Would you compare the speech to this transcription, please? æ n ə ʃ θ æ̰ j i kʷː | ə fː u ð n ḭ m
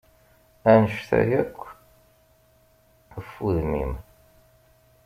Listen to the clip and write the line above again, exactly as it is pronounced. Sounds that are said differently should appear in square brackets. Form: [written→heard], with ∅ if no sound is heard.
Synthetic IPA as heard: æ n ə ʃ θ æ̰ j [i→æ] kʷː | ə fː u ð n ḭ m